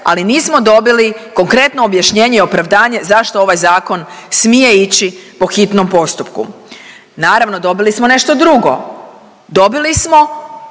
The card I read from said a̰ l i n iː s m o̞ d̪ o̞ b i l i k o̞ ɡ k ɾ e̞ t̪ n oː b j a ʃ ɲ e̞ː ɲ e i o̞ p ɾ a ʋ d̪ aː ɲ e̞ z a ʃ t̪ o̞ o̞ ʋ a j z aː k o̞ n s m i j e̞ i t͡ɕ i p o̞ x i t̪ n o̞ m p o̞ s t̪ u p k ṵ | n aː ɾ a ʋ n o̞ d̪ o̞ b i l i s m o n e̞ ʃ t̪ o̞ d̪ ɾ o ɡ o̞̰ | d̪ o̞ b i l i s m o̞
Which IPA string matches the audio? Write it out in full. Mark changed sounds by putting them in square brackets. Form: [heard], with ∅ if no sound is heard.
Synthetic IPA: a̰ l i n iː s m o̞ d̪ o̞ b i l i k o̞ [ŋ] k ɾ e̞ t̪ n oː b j a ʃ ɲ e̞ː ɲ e i o̞ p ɾ a ʋ d̪ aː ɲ e̞ z a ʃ t̪ o̞ o̞ ʋ a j z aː k o̞ n s m i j e̞ i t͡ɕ i p o̞ x i t̪ n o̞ m p o̞ s t̪ u p k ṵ | n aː ɾ a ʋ n o̞ d̪ o̞ b i l i s m o n e̞ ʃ t̪ o̞ d̪ ɾ [u] ɡ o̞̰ | d̪ o̞ b i l i s m o̞

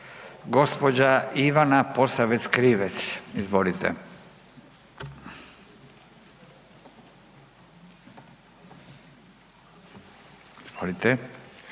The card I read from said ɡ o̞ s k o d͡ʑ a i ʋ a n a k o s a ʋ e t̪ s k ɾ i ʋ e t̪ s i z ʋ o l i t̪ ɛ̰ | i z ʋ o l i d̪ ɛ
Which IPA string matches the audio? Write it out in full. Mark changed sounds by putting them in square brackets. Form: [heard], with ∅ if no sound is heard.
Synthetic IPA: ɡ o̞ s [p] o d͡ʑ a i ʋ a n a [p] o s a ʋ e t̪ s k ɾ i ʋ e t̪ s i z ʋ o l i t̪ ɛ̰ | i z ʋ o l i [t̪] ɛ

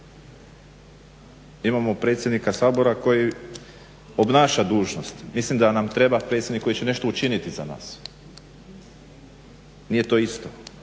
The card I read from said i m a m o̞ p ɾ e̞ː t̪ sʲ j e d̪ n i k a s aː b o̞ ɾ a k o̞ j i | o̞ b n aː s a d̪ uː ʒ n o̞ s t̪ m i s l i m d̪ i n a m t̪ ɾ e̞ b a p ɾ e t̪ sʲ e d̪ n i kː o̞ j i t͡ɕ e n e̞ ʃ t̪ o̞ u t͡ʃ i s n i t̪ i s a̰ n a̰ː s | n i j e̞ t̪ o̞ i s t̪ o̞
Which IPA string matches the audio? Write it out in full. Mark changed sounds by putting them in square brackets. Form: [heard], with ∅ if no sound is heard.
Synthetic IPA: i m a m o̞ p ɾ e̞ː t̪ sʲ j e d̪ n i k a s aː b o̞ ɾ a k o̞ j i | o̞ b n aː [ʃ] a d̪ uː ʒ n o̞ s t̪ m i s l i m d̪ [a] n a m t̪ ɾ e̞ b a p ɾ e t̪ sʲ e d̪ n i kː o̞ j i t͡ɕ e n e̞ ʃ t̪ o̞ u t͡ʃ i [∅] n i t̪ i [z] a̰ n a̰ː s | n i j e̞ t̪ o̞ i s t̪ o̞

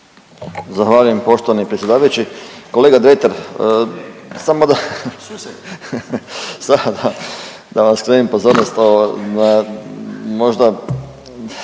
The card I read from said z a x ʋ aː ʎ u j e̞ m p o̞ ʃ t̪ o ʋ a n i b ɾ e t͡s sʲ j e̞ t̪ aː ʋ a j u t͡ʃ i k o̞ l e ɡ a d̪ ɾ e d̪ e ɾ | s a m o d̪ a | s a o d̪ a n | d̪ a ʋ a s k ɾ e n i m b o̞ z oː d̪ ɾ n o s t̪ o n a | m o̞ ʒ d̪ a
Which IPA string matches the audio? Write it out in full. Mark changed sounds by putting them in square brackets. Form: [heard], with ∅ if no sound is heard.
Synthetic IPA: z a x ʋ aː ʎ u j e̞ m p o̞ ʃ t̪ o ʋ a n i [p] ɾ e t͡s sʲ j e̞ [d̪] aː ʋ a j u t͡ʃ i k o̞ l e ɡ a d̪ ɾ e [t̪] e ɾ | s a m o d̪ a | s a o d̪ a [∅] | d̪ a ʋ a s k ɾ e n i m [p] o̞ z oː [∅] ɾ n o s t̪ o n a | m o̞ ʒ d̪ a

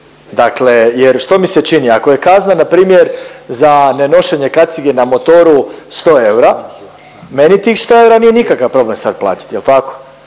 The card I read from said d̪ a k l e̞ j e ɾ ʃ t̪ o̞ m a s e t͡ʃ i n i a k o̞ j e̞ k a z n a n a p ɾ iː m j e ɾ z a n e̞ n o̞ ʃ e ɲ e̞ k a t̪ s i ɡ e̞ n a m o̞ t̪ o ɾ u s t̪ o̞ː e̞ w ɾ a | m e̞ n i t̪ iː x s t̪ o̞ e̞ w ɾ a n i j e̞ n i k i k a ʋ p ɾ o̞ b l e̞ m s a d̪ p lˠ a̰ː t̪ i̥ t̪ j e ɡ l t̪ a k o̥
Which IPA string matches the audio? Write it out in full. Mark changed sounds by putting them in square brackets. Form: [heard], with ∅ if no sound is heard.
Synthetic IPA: d̪ a k l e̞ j e ɾ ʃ t̪ o̞ m [i] s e t͡ʃ i n i a k o̞ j e̞ k a z n a n a p ɾ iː m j e ɾ z a n e̞ n o̞ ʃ e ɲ e̞ k a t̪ s i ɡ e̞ n a m o̞ t̪ o ɾ u s t̪ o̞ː e̞ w ɾ a | m e̞ n i t̪ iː x s t̪ o̞ e̞ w ɾ a n i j e̞ n i k [a] k a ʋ p ɾ o̞ b l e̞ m s a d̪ p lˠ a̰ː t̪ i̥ t̪ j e [∅] l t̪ a k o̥

